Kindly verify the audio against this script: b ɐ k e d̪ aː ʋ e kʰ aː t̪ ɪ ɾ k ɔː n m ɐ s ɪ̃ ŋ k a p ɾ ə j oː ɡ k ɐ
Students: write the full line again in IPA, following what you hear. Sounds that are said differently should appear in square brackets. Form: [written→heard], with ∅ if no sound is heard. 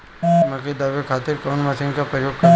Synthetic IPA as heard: [b→m] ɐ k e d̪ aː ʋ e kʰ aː t̪ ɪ ɾ k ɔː n m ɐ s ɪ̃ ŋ k a p ɾ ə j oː ɡ k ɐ